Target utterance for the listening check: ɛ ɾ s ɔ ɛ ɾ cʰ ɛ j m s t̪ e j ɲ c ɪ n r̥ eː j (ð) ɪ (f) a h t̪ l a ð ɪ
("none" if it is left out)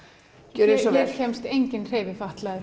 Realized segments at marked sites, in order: v, f

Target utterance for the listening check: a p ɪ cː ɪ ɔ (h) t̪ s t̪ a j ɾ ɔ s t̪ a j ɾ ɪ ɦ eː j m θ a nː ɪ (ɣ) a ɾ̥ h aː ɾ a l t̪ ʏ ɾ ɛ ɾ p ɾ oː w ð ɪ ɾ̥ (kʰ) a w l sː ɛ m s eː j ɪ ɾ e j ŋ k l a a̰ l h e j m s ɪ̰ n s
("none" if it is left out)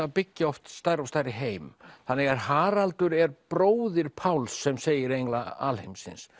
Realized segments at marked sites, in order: f, ɣ, pʰ

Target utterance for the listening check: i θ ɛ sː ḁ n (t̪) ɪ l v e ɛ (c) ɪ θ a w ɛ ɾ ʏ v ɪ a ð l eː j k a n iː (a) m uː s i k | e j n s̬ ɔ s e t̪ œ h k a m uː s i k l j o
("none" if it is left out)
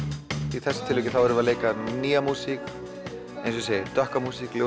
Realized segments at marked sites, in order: t̪ʰ, c, a

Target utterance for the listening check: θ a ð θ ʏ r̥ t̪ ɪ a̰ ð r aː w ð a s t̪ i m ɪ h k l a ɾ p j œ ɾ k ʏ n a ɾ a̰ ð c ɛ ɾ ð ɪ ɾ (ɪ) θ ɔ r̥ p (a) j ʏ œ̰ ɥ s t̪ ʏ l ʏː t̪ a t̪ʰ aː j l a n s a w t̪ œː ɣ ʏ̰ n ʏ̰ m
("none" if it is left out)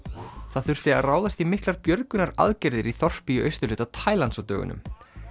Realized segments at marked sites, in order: i, i

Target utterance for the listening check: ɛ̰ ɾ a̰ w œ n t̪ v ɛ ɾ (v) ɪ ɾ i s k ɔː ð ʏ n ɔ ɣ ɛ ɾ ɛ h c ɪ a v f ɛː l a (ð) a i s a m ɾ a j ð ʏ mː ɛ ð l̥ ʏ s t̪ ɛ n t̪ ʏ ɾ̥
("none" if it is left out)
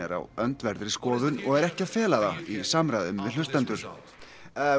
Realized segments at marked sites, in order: ð, ð

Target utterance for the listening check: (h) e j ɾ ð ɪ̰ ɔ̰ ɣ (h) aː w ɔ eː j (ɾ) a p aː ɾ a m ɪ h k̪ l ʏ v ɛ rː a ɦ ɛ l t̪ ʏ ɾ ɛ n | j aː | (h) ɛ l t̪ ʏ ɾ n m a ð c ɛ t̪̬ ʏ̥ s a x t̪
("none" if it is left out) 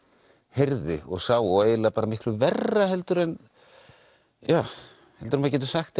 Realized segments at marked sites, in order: h, s, l, h

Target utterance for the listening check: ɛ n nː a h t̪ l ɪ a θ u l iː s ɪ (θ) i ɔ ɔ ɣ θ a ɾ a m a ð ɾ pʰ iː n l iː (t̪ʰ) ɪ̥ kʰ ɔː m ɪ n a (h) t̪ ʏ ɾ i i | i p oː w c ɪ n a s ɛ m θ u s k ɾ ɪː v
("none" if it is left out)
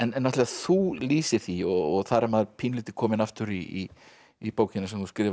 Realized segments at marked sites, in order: θ, t̪, f

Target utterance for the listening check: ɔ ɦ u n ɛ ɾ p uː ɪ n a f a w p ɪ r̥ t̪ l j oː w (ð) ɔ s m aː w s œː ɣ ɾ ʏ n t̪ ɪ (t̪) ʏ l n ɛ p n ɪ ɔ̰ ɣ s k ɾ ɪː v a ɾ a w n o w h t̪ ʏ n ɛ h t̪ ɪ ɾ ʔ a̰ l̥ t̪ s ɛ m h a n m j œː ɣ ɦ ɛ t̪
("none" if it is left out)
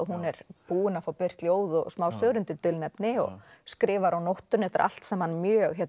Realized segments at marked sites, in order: ð, t̪

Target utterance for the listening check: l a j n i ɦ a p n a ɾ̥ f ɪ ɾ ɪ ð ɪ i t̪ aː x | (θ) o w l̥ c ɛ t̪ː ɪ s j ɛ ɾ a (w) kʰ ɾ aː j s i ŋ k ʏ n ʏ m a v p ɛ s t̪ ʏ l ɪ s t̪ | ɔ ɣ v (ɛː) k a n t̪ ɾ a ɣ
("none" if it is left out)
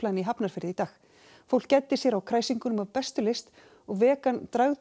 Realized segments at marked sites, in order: f, w, ɛː

